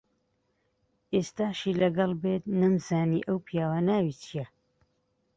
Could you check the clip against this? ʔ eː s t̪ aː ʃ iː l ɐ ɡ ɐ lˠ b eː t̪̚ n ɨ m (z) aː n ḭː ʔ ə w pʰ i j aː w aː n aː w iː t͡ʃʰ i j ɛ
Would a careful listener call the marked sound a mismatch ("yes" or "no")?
no